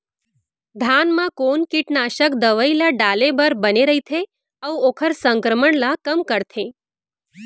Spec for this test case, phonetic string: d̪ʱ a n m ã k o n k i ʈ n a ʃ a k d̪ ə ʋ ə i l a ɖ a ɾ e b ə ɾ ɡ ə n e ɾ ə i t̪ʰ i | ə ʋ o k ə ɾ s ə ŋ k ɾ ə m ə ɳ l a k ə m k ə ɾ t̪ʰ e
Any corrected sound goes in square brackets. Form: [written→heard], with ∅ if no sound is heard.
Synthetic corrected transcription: d̪ʱ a n m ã k o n k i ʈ n a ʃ [a→ə] k d̪ ə ʋ ə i l a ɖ a [ɾ→l] e b ə ɾ [ɡ→b] ə n e ɾ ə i t̪ʰ [i→e] | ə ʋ o [k→kʰ] ə ɾ s ə ŋ k ɾ ə m ə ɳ l a k ə m k ə ɾ t̪ʰ e